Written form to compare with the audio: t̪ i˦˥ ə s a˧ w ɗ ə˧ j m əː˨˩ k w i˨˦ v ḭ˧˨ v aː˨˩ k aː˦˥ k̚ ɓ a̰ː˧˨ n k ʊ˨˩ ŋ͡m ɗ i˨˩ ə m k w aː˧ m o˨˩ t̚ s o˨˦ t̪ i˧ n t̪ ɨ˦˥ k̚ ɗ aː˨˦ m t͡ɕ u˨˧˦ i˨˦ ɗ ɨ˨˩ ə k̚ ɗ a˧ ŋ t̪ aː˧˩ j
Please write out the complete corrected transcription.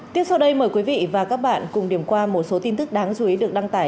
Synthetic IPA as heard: t̪ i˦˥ ə s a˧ w ɗ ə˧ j m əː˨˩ k w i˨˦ v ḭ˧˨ v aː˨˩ k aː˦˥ k̚ ɓ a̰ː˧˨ n k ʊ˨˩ ŋ͡m ɗ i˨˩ ə m k w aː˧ m o˨˩ t̚ s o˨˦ t̪ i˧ n t̪ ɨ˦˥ k̚ ɗ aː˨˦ ŋ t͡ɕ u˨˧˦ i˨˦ ɗ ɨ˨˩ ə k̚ ɗ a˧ ŋ t̪ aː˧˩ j